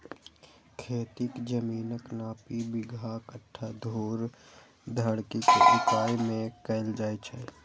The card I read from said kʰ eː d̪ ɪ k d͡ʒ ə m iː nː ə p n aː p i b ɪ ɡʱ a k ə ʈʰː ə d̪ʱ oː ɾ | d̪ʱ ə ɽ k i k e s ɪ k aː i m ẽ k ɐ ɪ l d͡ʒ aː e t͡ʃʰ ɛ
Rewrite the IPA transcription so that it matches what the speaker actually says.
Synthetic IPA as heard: kʰ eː t̪ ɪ k d͡ʒ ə m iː n ə k n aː p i b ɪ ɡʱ a k ə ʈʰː a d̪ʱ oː ɾ | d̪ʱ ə ɽ k i k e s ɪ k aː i m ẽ k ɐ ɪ l d͡ʒ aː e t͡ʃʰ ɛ